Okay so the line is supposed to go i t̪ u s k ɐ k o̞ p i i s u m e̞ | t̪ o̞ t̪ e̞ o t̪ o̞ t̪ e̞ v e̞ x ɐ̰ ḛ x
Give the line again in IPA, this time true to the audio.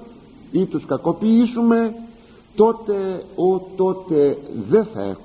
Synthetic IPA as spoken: i t̪ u s k ɐ k o̞ p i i s u m e̞ | t̪ o̞ t̪ e̞ o t̪ o̞ t̪ e̞ ð e̞ θ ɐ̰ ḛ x